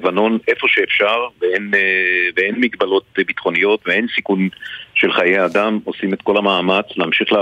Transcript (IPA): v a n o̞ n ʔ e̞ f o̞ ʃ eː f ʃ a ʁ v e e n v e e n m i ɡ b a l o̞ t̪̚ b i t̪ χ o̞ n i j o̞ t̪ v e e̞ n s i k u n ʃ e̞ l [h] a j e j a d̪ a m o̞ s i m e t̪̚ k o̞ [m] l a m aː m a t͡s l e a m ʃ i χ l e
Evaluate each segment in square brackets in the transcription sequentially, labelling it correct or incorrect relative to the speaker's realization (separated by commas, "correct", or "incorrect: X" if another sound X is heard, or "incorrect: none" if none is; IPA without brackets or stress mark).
incorrect: χ, incorrect: none